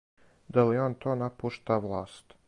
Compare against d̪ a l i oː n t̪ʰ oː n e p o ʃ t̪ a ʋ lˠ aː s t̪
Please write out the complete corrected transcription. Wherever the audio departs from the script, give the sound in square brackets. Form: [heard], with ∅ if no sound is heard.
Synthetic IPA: d̪ a l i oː n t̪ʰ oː n [a] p [u] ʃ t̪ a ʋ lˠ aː s t̪